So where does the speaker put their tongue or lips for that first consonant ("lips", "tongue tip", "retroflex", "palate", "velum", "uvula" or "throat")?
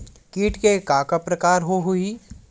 velum